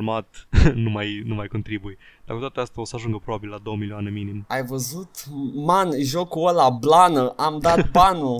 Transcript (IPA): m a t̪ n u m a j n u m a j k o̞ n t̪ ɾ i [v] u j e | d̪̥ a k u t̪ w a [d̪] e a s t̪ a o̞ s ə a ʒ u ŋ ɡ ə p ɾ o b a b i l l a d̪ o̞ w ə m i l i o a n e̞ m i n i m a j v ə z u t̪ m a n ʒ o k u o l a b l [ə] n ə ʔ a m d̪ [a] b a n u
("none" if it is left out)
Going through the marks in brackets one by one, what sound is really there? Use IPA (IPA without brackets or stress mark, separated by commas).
b, t̪, a, a